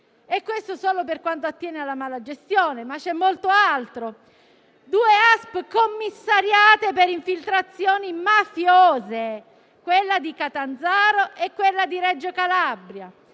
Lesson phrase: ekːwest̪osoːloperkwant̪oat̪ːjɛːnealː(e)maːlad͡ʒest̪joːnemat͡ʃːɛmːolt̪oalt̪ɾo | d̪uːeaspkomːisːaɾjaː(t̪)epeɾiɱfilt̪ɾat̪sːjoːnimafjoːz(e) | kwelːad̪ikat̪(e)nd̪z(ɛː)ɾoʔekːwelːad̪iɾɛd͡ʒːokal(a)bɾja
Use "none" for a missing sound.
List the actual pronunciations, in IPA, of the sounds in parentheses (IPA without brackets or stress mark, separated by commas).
a, t̪, e, a, aː, a